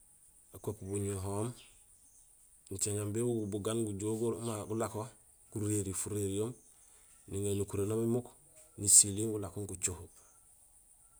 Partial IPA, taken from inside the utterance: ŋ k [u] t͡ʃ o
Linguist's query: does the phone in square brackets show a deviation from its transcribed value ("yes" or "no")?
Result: no